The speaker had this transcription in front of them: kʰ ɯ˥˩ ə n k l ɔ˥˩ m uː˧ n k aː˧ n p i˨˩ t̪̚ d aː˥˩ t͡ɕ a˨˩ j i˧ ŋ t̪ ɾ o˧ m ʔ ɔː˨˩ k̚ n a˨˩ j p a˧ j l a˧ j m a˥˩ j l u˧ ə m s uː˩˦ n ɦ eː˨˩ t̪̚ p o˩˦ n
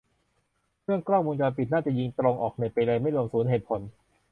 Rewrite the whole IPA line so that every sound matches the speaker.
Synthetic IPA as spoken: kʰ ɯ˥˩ ə ŋ k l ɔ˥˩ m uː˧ n k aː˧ n p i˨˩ t̪̚ n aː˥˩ t͡ɕ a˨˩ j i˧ ŋ t̪ ɾ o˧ ŋ ʔ ɔː˨˩ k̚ n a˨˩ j p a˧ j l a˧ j m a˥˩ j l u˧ ə m s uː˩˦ n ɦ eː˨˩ t̪̚ pʰ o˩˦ n